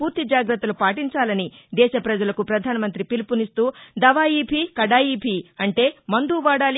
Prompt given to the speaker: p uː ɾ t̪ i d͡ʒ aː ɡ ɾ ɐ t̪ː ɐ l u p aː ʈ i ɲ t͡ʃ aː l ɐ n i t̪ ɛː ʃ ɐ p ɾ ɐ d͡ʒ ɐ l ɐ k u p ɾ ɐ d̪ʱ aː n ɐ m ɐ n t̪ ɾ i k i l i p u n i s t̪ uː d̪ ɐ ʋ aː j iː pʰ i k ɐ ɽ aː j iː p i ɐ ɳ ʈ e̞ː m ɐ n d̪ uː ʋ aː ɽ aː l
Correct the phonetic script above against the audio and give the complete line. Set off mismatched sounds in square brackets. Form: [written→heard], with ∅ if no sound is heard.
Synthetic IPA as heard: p uː ɾ t̪ i d͡ʒ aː ɡ ɾ ɐ t̪ː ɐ l u p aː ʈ i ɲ t͡ʃ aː l ɐ n i [t̪→d̪] ɛː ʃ ɐ p ɾ ɐ d͡ʒ ɐ l ɐ k u p ɾ ɐ d̪ʱ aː n ɐ m ɐ n t̪ ɾ i [k→p] i l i p u n i s t̪ uː d̪ ɐ ʋ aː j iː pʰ i k ɐ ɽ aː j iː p i ɐ ɳ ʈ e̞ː m ɐ n d̪ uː ʋ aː ɽ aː l